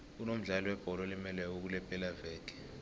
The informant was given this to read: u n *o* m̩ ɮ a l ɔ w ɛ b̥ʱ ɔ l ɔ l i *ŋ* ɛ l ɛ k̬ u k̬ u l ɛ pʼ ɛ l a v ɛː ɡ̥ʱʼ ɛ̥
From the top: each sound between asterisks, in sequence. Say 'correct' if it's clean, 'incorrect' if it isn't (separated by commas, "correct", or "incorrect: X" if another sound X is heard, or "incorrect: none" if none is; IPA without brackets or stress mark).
correct, incorrect: m